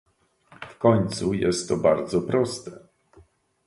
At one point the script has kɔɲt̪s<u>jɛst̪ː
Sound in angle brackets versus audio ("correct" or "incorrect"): correct